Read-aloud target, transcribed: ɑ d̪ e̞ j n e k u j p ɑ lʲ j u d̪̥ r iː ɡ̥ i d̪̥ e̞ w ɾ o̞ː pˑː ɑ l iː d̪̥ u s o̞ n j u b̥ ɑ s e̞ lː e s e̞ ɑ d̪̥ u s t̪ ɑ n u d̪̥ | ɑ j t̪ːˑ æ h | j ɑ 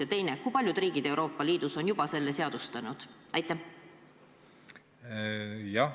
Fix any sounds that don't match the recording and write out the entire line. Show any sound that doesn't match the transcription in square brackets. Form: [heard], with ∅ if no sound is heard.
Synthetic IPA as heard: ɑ [t̪] e̞ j n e k u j p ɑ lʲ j u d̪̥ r iː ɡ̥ i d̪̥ e̞ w ɾ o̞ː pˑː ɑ l iː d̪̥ u s o̞ n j u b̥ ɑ s e̞ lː e s e̞ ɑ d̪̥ u s t̪ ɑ n u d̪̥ | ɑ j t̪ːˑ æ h | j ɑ

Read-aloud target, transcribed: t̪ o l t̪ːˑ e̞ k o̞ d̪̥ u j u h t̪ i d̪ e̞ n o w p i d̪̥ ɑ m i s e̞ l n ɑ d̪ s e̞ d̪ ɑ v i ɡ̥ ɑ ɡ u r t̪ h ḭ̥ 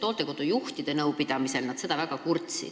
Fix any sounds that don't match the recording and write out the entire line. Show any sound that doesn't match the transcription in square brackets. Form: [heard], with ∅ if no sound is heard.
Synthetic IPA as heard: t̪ o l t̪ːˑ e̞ k o̞ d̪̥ u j u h t̪ i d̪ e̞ n [ɤ] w p i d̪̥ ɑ m i s e̞ l n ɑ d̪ s e̞ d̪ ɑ v [æ] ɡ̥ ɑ [k] u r t̪ [s] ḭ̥

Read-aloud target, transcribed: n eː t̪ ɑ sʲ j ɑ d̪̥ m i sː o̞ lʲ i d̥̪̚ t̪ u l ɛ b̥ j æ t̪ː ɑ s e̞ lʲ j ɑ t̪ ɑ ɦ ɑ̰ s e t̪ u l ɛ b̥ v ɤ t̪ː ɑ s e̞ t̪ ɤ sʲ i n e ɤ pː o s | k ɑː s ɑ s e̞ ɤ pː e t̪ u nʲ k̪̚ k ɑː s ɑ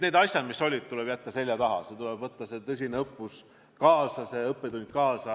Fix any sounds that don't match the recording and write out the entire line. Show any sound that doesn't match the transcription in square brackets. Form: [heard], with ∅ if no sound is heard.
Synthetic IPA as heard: n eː [d̪] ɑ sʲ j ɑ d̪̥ m i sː o̞ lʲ i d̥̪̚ t̪ u l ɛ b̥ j æ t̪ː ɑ s e̞ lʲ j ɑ t̪ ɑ ɦ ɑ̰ s e t̪ u l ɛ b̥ v ɤ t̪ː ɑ s e̞ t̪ ɤ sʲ i n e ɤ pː [u] s | k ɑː s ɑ s e̞ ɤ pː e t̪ u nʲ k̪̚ k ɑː s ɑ

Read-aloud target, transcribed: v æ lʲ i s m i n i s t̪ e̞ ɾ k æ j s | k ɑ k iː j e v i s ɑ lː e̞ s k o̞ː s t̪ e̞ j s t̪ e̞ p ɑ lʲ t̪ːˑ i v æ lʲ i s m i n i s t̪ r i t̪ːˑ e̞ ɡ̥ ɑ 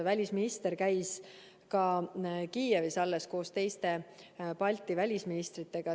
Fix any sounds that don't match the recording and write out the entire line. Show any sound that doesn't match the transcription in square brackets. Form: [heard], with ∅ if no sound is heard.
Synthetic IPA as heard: v æ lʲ i s m i n i s t̪ e̞ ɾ k æ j s | k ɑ k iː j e v i s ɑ lː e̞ s k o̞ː s t̪ e̞ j s t̪ e̞ p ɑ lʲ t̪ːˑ i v æ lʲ i s m i n i s t̪ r i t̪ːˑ e̞ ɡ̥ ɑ

